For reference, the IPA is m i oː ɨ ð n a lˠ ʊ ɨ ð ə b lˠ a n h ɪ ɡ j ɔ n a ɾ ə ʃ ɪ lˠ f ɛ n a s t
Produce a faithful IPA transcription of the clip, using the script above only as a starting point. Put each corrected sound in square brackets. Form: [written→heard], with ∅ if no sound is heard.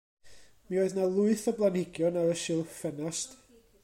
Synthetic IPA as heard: m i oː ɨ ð n a lˠ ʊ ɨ [ð→θ] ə b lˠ a n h ɪ ɡ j ɔ n a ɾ ə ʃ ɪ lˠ f ɛ n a s t